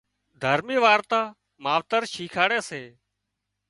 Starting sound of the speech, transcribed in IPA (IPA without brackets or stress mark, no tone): d̪ʱ